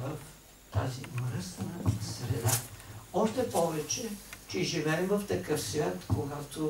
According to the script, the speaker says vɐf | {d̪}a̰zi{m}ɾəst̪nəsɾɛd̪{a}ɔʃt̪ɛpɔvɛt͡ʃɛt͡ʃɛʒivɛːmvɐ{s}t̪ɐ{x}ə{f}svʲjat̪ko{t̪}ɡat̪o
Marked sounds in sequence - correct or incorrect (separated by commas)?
incorrect, correct, correct, incorrect, incorrect, correct, incorrect